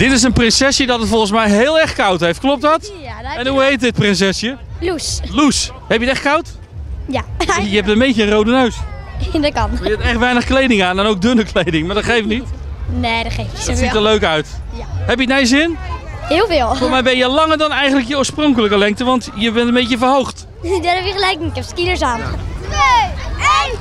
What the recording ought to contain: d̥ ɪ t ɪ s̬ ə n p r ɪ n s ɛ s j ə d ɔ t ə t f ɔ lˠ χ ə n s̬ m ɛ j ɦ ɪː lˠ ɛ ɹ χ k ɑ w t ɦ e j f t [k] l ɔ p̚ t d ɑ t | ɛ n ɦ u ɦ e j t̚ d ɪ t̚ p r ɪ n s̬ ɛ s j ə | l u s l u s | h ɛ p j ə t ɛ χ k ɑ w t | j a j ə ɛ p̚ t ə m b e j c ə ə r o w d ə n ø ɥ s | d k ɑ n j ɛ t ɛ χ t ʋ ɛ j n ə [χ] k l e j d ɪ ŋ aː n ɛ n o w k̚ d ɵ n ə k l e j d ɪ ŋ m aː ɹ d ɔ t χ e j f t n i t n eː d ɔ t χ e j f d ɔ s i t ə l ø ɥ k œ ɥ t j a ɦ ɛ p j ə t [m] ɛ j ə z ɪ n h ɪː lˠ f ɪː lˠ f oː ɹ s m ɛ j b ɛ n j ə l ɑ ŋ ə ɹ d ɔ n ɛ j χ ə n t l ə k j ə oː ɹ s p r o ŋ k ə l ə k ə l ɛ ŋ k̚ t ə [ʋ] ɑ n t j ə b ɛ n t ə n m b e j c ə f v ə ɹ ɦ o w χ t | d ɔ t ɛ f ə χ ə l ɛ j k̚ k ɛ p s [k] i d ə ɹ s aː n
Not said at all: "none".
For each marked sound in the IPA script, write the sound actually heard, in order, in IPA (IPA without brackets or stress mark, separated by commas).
k, χ, n, ʋ, k